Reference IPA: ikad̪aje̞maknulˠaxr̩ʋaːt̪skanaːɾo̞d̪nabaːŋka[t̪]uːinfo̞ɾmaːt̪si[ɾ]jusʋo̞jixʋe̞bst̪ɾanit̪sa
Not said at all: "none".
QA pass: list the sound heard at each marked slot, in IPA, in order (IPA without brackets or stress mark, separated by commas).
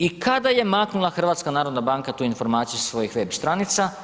t̪, none